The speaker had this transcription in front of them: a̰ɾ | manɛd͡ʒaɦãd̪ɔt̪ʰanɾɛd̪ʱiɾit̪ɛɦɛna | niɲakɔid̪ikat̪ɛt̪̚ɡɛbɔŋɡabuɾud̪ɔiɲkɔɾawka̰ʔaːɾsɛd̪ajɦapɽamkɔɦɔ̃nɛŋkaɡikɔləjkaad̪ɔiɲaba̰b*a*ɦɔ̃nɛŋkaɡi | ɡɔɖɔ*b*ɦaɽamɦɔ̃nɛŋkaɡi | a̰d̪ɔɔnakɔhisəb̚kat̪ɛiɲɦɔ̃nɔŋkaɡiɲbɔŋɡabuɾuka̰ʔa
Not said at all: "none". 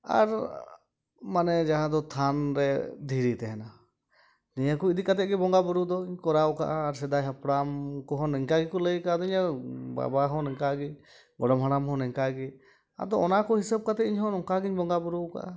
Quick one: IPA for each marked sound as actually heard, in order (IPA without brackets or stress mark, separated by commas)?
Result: a, m